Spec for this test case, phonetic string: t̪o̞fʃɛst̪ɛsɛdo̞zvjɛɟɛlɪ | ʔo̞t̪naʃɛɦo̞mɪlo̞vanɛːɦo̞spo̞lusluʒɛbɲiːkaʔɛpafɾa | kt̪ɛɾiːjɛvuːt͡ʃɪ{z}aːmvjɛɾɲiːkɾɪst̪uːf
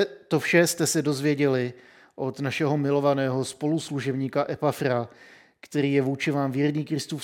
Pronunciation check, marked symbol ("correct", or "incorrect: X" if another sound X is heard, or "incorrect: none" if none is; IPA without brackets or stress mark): incorrect: v